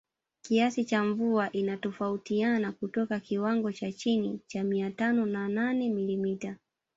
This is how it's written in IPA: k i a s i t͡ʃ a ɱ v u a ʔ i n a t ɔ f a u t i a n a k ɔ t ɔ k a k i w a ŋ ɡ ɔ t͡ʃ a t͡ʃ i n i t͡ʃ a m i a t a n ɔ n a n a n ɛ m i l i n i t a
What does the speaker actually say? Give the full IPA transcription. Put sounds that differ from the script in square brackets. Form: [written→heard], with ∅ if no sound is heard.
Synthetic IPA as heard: k i a s i t͡ʃ a ɱ v u a ʔ i n a t ɔ f a u t i a n a k [ɔ→u] t ɔ k a k i w a ŋ ɡ ɔ t͡ʃ a t͡ʃ i n i t͡ʃ a m i a t a n ɔ n a n a n ɛ m i l i [n→m] i t a